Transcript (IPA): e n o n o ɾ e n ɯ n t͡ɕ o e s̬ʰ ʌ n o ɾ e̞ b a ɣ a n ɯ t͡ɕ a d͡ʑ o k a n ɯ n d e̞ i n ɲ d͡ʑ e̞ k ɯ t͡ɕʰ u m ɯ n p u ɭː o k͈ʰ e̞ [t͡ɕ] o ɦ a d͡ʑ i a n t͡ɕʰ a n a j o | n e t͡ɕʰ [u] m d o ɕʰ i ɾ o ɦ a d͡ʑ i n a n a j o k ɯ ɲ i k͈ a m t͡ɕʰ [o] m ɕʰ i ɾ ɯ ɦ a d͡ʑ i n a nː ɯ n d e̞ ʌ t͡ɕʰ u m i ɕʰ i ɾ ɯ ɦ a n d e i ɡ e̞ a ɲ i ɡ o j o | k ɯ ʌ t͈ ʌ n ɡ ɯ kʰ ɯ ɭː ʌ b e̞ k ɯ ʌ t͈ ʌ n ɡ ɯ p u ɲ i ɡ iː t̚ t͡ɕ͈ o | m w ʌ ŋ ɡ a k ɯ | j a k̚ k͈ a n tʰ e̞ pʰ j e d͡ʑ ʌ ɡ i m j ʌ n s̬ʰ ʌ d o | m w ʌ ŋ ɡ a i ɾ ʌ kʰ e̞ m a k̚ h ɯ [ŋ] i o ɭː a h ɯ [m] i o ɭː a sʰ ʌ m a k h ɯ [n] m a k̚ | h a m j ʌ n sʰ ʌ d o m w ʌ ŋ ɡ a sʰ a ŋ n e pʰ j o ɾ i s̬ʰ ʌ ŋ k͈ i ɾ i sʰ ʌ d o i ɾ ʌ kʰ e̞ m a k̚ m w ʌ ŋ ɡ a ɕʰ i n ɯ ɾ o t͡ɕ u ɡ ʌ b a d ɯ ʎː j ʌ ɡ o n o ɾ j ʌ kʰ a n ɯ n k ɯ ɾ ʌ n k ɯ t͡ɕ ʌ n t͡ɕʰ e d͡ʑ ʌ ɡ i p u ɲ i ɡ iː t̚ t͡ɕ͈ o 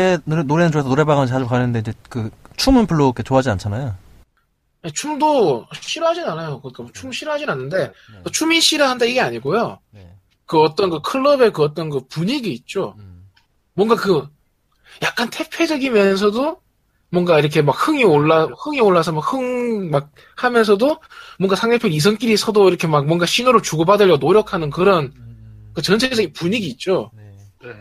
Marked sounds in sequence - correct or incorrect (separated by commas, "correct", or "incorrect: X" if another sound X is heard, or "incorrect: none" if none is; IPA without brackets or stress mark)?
correct, correct, incorrect: u, correct, incorrect: ŋ, incorrect: ŋ